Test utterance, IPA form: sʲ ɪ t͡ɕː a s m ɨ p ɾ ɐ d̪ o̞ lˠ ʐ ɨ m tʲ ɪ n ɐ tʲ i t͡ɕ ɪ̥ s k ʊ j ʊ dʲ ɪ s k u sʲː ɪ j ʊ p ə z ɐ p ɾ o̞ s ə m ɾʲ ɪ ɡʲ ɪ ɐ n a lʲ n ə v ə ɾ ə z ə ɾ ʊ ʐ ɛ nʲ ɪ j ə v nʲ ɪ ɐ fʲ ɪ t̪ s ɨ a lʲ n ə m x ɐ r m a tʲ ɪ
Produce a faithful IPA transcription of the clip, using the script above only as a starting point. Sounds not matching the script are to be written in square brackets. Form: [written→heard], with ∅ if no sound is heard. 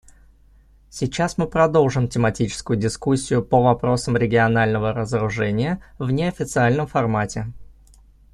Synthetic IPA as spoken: sʲ ɪ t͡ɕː a s m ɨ p ɾ ɐ d̪ o̞ lˠ ʐ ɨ m tʲ ɪ [n→m] ɐ tʲ i t͡ɕ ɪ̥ s k ʊ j ʊ dʲ ɪ s k u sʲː ɪ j ʊ p ə [z→v] ɐ p ɾ o̞ s ə m ɾʲ ɪ ɡʲ ɪ ɐ n a lʲ n ə v ə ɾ ə z ə ɾ ʊ ʐ ɛ nʲ ɪ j ə v nʲ ɪ ɐ fʲ ɪ t̪ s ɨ a lʲ n ə m [x→f] ɐ r m a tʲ ɪ